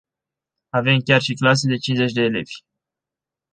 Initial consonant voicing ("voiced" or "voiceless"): voiced